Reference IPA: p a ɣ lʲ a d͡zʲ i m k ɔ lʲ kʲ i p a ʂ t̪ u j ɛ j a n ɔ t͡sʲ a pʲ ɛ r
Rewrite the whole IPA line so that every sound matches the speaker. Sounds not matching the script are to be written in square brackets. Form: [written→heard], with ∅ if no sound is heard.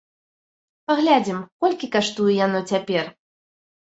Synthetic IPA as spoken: p a ɣ lʲ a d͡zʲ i m k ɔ lʲ kʲ i [p→k] a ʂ t̪ u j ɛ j a n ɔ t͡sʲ a pʲ ɛ r